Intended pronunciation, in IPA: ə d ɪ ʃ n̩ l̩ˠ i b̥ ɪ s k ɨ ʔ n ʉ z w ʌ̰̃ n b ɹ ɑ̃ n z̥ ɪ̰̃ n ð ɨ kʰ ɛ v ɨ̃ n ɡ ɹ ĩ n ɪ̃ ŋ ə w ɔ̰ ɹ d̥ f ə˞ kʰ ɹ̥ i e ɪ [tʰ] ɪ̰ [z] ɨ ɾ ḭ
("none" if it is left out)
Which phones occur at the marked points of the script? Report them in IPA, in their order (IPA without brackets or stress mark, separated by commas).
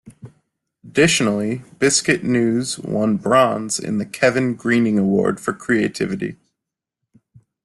tʰ, v